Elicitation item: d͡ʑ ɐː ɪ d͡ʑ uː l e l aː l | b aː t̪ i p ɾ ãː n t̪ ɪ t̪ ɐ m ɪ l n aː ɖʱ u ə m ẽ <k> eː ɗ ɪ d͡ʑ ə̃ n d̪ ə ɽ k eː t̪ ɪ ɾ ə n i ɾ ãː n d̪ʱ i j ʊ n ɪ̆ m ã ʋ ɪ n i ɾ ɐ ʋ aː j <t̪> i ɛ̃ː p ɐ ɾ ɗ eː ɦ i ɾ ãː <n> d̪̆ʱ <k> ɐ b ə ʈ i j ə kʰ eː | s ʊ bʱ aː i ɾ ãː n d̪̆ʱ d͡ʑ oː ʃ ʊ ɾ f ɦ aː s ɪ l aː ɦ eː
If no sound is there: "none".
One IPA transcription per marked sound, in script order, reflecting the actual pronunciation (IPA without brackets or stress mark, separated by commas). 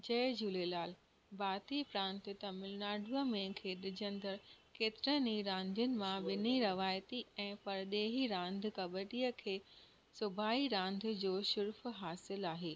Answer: kʰ, t̪, n, k